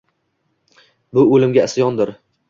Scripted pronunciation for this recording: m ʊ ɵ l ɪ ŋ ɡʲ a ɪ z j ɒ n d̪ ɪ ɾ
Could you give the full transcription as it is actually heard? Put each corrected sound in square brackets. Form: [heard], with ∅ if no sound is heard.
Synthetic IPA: [b] ʊ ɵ l ɪ [m] ɡʲ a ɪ [s] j ɒ n d̪ ɪ ɾ